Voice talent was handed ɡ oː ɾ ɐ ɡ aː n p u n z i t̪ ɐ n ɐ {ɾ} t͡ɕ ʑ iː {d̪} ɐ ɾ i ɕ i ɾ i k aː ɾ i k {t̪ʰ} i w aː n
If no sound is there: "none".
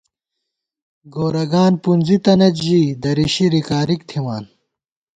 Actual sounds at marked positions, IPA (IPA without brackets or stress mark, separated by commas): none, d̪, t̪ʰ